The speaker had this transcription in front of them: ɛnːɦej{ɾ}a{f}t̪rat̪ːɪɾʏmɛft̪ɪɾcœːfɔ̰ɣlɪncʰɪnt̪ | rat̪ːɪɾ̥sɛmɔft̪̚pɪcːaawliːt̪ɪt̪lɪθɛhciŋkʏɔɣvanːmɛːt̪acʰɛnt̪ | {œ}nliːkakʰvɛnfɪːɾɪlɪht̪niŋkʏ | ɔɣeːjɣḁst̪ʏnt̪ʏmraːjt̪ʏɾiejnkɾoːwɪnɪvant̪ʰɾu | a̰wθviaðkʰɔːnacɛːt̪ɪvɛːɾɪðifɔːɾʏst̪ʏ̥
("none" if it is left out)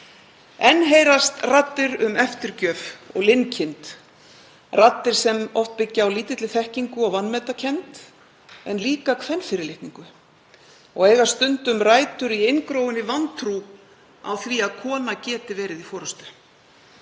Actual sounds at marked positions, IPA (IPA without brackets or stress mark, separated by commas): ɾ, s, ɛ